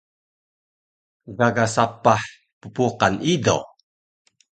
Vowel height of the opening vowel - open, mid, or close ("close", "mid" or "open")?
open